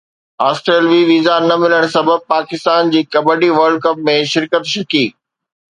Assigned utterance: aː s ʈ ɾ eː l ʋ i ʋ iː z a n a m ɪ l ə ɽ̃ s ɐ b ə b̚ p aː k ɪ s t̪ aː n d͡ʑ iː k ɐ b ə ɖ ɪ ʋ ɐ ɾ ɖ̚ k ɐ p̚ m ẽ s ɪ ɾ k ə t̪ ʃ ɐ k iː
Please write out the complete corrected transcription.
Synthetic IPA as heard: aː s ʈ ɾ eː l ʋ i ʋ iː z a n ɐ m ɪ l ə ɽ̃ s ɐ b ə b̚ p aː k ɪ s t̪ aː n d͡ʑ iː k ɐ b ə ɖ i ʋ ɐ ɾ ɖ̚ k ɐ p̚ m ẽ ʃ ɪ ɾ k ə t̪ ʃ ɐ k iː